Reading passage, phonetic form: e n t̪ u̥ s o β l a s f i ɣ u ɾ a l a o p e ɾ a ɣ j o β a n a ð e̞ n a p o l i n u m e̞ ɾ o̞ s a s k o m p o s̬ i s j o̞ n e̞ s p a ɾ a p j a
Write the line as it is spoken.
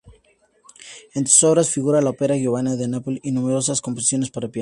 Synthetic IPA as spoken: e n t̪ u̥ s o β ɾ a s f i ɣ u ɾ a l a o p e ɾ a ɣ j o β a n a ð e̞ n a p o l i n u m e̞ ɾ o̞ s a s k o m p o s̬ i s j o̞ n e̞ s p a ɾ a p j a